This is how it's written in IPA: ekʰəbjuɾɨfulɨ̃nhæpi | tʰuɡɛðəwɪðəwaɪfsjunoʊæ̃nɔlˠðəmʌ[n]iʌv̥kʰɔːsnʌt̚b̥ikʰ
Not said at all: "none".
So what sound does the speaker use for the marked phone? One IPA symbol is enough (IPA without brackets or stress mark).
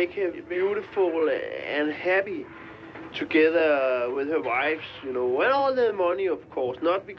n